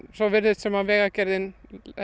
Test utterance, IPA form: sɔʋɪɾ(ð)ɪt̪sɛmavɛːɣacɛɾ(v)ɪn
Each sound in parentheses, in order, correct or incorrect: correct, incorrect: ð

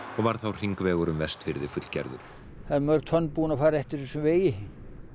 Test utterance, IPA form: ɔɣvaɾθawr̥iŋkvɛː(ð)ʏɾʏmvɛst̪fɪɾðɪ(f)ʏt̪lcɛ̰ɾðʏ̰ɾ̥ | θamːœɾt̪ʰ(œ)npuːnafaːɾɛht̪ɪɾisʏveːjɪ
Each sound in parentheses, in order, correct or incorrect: incorrect: ɣ, correct, correct

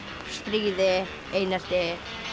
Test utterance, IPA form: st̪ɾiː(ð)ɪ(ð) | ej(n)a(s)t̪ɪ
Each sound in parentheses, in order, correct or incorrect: correct, incorrect: none, correct, correct

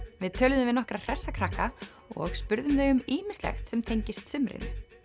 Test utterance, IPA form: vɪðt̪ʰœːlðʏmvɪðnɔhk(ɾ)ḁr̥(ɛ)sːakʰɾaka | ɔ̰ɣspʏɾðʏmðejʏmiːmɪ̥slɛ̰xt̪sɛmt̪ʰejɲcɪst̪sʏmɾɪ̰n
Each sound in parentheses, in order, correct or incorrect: correct, correct

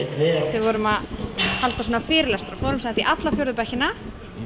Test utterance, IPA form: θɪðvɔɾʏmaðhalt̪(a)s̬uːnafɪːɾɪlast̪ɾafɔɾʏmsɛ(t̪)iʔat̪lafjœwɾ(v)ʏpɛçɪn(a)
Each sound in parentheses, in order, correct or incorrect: correct, correct, incorrect: ð, correct

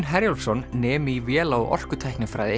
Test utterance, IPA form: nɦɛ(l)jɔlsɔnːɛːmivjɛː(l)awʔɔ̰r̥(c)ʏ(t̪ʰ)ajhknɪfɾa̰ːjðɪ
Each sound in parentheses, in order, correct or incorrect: incorrect: ɾ, correct, incorrect: k, correct

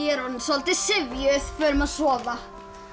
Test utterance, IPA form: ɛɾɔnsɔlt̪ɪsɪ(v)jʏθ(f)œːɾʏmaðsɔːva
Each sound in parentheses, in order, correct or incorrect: correct, correct

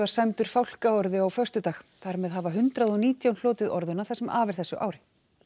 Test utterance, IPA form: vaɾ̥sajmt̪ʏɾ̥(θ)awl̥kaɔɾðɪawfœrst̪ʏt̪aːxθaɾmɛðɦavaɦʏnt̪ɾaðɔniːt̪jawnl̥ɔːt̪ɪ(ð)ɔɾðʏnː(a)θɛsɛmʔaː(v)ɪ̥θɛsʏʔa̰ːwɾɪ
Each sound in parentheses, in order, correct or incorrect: incorrect: f, correct, correct, correct

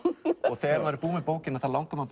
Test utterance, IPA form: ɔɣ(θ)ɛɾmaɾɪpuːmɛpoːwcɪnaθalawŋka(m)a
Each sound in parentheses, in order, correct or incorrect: correct, correct

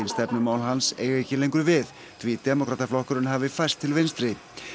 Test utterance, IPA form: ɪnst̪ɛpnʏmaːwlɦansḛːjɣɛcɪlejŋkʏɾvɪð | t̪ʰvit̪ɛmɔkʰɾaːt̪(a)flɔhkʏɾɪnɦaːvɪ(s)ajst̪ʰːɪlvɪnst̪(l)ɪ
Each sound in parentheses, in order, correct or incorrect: correct, incorrect: f, incorrect: ɾ

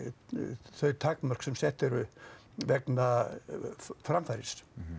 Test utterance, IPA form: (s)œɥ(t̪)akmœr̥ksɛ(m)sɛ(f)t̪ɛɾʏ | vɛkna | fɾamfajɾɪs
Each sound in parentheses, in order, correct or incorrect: incorrect: θ, incorrect: t̪ʰ, correct, incorrect: h

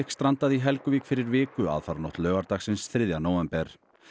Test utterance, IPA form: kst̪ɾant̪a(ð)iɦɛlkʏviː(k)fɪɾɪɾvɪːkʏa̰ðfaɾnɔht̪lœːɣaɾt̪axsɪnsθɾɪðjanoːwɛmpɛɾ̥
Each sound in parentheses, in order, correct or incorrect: correct, correct

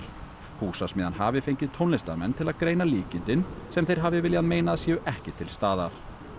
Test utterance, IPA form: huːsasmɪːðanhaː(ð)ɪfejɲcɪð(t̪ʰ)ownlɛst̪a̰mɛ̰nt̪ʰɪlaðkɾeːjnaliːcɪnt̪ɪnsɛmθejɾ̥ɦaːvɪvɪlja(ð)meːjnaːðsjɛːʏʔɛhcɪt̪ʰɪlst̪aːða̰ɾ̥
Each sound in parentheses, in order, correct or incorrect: incorrect: v, correct, correct

